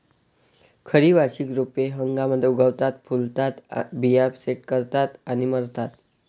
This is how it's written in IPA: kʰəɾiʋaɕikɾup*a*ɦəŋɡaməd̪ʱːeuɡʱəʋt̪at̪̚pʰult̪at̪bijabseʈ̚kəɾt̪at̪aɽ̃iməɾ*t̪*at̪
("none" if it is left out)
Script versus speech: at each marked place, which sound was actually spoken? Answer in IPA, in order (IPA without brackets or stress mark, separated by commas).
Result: e, t̪